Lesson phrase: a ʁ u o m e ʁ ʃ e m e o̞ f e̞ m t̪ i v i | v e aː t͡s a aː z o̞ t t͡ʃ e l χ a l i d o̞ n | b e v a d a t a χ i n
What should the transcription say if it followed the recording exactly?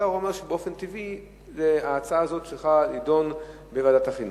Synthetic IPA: a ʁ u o m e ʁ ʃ e b e o̞ f e̞ n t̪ i v i | z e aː t͡s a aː z o̞ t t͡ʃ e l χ a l i d o̞ n | b e v a d a t a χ i n